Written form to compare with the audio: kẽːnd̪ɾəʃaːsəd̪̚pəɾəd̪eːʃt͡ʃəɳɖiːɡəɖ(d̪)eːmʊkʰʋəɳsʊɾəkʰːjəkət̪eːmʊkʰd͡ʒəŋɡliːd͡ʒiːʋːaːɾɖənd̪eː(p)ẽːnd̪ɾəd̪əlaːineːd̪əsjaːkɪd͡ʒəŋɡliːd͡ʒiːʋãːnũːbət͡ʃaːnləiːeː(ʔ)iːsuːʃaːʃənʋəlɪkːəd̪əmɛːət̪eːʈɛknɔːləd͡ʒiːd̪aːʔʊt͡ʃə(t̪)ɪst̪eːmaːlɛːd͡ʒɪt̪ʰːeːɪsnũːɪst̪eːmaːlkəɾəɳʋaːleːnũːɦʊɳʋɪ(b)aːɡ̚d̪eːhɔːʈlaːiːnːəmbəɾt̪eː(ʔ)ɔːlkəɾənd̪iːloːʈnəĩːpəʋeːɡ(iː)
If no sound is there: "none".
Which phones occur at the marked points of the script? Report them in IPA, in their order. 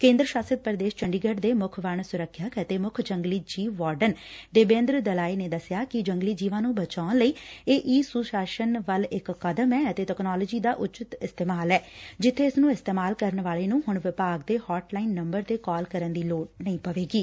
d̪, b, ʔ, t̪, p, k, iː

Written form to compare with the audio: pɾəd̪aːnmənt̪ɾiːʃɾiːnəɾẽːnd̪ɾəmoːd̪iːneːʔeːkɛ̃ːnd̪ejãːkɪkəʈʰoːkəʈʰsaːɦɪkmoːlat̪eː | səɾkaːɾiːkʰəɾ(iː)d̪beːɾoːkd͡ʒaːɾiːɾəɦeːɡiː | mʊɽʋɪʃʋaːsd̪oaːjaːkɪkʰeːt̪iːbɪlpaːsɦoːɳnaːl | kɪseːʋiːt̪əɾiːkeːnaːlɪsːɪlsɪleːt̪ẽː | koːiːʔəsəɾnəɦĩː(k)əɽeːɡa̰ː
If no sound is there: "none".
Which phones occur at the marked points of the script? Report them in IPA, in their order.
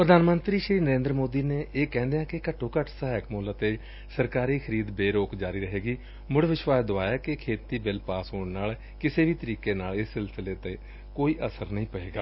iː, p

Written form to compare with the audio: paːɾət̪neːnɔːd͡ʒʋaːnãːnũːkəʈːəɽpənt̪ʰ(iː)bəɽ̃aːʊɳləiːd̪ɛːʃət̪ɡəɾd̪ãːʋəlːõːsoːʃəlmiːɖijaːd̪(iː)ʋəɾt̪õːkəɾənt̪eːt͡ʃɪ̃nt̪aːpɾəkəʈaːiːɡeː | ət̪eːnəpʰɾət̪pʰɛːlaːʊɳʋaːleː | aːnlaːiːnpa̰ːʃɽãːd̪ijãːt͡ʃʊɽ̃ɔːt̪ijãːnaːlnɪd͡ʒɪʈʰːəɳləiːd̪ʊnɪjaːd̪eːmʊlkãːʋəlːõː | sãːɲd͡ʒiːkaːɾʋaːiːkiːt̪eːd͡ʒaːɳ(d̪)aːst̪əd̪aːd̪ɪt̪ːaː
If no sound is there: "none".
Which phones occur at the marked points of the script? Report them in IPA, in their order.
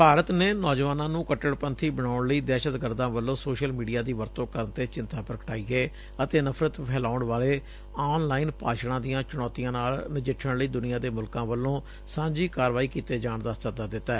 iː, iː, d̪

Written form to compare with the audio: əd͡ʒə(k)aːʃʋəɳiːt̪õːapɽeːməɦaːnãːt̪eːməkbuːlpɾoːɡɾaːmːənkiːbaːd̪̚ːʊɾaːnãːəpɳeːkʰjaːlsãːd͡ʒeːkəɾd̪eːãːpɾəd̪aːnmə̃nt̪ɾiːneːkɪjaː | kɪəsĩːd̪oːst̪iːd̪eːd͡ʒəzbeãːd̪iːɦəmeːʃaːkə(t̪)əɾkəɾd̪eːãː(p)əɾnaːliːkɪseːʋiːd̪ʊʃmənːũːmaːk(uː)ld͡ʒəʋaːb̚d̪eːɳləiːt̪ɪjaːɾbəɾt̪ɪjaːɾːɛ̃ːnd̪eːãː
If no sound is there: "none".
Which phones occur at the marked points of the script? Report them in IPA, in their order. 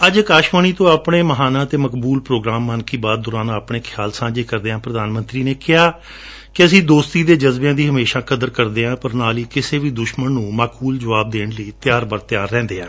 k, d̪, p, uː

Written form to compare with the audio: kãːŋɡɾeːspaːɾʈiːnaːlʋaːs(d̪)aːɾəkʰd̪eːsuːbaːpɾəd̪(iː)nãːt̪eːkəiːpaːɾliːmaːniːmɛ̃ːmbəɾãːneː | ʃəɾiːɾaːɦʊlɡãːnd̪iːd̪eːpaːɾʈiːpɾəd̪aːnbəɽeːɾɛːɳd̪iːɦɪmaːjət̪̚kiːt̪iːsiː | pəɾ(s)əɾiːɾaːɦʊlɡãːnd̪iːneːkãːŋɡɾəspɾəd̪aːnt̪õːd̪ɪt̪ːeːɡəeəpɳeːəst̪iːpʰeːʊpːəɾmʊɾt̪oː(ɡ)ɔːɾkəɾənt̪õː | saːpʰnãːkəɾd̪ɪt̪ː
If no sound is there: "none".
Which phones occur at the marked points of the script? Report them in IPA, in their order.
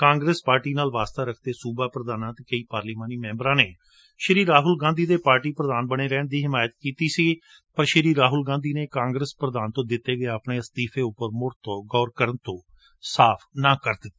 t̪, aː, ʃ, ɡ

